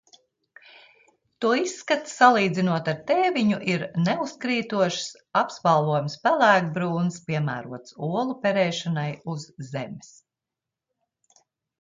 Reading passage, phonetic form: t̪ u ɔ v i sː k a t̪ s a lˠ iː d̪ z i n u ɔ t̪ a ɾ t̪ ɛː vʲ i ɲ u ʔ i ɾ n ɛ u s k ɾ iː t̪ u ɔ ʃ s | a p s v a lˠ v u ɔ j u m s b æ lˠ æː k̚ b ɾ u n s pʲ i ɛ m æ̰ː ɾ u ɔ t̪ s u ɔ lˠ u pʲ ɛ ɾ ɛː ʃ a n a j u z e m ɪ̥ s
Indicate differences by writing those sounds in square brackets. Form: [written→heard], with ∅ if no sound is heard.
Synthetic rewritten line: t̪ u ɔ [v→∅] i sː k a t̪ s a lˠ iː d̪ z i n u ɔ t̪ a ɾ t̪ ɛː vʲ i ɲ u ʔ i ɾ n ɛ u s k ɾ iː t̪ u ɔ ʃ s | a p s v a lˠ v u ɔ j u m s [b→p] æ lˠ æː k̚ b ɾ [u→uː] n s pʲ i ɛ m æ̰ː ɾ u ɔ t̪ s u ɔ lˠ u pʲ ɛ ɾ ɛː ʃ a n a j u [z→zː] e m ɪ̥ s